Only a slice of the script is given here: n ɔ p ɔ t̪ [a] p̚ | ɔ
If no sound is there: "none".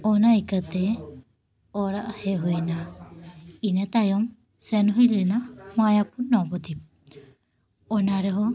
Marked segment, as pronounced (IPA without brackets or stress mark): i